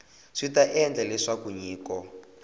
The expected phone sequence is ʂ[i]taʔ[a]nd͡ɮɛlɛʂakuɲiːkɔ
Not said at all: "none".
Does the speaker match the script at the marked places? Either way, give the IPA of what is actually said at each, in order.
i, ɛ

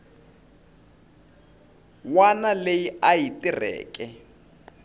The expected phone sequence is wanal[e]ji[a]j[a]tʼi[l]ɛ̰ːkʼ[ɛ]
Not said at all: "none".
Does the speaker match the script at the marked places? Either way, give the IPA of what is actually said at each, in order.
e, a, i, r, ɛ

